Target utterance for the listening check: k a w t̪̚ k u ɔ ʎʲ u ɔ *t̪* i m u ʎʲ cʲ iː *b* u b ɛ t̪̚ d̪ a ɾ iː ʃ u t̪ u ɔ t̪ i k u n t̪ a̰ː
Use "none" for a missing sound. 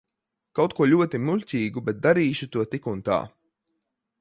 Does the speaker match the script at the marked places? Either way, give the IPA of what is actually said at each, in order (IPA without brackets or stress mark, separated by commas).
t̪, ɡ